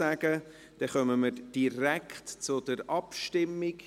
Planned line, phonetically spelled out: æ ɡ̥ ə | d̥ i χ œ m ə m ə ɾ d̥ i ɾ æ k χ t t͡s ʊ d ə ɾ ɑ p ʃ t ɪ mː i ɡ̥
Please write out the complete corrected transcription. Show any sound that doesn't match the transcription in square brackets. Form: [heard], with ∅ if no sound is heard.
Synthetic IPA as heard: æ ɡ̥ ə | d̥ [ɛ] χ œ m ə m ə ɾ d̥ i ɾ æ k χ t t͡s ʊ d ə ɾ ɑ p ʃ t ɪ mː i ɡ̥